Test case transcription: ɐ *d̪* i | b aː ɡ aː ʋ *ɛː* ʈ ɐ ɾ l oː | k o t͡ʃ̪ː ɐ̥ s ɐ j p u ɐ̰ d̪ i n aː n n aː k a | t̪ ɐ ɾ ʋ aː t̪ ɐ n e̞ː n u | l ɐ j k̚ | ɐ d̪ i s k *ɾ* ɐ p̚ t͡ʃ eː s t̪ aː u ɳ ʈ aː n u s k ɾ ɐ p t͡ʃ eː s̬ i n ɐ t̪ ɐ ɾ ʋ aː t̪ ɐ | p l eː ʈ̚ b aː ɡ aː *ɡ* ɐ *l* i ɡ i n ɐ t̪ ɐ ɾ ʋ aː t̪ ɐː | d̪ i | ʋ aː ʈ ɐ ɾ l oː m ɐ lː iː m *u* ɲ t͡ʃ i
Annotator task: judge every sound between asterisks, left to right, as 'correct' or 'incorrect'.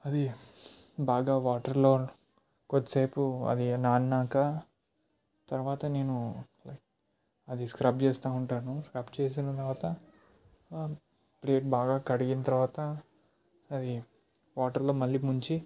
correct, incorrect, correct, incorrect, incorrect, correct

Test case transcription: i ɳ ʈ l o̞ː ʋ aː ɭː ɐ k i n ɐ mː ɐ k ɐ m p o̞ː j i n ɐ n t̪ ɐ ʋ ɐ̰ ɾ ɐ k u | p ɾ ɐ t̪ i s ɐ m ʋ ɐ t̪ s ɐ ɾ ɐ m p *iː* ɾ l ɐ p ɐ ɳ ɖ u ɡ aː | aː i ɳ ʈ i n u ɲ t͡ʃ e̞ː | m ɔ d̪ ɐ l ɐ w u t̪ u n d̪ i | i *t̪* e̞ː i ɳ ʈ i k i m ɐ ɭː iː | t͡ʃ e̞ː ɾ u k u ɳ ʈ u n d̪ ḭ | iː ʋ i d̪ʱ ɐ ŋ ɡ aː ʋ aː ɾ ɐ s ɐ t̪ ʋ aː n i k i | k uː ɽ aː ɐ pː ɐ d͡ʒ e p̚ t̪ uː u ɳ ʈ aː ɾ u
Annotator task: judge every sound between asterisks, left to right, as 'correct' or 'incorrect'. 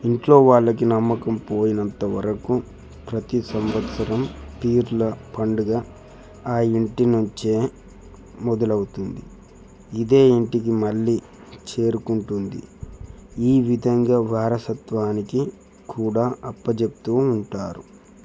correct, incorrect

